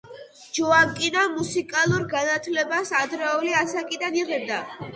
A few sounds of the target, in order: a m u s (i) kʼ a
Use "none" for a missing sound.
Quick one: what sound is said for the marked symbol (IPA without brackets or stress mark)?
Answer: i